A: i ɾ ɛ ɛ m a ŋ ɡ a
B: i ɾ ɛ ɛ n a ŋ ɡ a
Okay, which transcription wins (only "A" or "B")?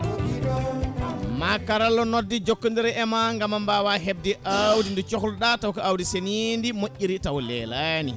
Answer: A